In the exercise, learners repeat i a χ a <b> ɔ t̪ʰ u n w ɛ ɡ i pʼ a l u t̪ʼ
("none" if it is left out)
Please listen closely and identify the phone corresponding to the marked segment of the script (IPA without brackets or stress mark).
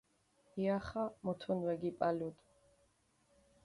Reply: m